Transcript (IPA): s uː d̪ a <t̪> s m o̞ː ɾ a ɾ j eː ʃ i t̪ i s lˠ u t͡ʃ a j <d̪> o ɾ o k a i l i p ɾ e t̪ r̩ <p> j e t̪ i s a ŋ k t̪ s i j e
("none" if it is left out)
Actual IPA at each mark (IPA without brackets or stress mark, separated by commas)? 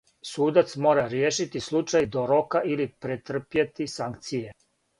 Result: t̪, d̪, p